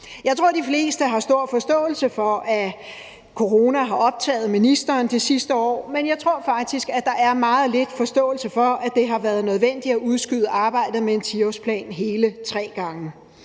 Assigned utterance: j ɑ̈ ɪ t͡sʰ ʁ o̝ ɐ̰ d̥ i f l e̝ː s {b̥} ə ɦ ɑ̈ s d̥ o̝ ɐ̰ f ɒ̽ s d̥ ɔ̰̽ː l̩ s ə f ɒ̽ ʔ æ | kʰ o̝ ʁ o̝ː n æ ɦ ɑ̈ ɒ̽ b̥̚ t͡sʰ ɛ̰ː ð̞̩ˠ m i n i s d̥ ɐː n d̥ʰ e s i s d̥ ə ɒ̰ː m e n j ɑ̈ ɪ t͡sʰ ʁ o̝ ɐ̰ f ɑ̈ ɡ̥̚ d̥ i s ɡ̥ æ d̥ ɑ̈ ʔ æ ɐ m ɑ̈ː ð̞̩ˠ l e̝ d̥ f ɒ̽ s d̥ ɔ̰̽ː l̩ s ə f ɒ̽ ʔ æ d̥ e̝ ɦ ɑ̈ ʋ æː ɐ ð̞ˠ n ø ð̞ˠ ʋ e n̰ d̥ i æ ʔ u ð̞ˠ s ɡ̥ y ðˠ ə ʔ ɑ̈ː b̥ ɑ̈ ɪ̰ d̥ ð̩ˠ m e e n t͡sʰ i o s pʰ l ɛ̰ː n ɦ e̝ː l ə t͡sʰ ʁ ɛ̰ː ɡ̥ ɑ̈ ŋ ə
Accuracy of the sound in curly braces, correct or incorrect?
incorrect